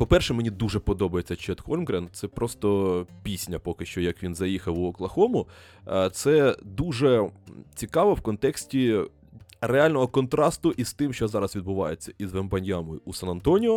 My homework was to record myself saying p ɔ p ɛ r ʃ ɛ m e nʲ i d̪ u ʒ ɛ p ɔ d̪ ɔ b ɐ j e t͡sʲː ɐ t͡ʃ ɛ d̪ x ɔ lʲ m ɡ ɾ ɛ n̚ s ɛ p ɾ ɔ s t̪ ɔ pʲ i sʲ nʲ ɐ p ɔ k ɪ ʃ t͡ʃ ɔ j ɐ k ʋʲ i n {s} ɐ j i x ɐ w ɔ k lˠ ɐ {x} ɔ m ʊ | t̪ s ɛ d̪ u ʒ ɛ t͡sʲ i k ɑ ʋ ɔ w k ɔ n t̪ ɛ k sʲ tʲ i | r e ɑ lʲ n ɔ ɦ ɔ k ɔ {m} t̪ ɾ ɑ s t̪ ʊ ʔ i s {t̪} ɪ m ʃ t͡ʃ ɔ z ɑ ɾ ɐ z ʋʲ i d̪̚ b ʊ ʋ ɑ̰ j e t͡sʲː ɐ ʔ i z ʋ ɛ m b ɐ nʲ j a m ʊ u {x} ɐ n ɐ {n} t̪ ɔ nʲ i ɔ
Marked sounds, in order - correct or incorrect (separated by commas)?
incorrect, correct, incorrect, correct, incorrect, correct